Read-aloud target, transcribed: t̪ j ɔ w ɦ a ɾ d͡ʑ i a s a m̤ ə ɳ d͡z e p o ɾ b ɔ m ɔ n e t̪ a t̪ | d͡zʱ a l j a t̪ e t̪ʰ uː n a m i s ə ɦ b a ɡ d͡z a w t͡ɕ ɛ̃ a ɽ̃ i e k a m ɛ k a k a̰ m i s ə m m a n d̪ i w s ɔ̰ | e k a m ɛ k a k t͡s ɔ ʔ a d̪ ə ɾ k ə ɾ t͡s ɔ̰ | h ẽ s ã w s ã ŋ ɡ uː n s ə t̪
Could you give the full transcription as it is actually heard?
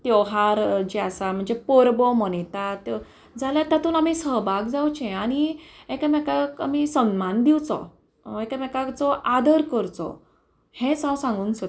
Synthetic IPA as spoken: t̪ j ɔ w ɦ a ɾ d͡ʑ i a s a m̤ ə ɳ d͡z e p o ɾ b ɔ m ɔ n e t̪ a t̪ | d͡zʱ a l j a t̪ a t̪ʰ uː n a m i s ə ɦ b a ɡ d͡z a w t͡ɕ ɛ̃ a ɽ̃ i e k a m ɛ k a k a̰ m i s ə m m a n d̪ i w t͡s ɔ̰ | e k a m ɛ k a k t͡s ɔ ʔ a d̪ ə ɾ k ə ɾ t͡s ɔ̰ | h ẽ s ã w s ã ŋ ɡ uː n s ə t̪